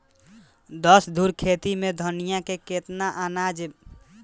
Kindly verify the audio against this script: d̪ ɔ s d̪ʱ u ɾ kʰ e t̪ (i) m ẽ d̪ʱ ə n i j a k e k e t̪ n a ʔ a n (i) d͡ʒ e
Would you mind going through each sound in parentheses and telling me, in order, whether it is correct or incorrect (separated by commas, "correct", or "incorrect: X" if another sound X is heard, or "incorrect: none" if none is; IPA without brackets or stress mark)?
correct, incorrect: a